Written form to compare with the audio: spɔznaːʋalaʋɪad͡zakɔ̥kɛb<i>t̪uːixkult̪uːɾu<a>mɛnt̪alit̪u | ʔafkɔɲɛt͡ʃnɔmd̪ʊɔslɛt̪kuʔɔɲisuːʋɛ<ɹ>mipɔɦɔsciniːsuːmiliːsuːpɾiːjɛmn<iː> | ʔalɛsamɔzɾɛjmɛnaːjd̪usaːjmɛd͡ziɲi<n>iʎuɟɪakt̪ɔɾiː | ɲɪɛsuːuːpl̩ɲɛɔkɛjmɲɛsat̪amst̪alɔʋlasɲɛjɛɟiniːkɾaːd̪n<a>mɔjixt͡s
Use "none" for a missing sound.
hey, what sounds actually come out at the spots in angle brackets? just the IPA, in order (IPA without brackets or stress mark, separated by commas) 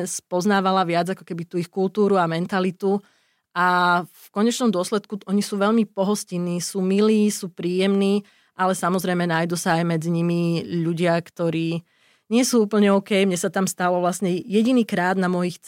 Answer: i, a, ʎ, iː, m, a